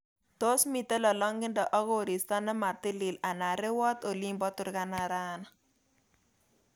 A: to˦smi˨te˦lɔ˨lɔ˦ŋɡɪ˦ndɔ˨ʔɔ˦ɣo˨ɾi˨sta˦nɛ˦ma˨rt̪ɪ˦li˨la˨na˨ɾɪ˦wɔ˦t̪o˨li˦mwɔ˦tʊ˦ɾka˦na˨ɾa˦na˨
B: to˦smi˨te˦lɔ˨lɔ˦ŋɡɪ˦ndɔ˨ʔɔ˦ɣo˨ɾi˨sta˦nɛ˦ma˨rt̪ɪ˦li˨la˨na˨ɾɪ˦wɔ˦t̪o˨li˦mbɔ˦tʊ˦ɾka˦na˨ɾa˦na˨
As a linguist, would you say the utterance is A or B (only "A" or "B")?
B